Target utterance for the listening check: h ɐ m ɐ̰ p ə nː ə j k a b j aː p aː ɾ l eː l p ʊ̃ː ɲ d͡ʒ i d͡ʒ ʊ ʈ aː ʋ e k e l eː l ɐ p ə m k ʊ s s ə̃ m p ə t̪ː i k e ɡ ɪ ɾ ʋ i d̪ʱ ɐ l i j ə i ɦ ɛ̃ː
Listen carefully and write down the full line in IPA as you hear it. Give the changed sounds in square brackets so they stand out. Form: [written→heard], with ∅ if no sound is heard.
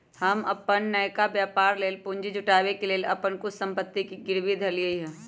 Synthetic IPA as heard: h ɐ m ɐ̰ p ə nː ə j k a b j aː p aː ɾ l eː l p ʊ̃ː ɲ d͡ʒ i d͡ʒ ʊ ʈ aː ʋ e k e l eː l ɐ p ə [m→n] k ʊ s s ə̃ m p ə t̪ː i k [e→i] ɡ ɪ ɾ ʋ i d̪ʱ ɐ l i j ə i ɦ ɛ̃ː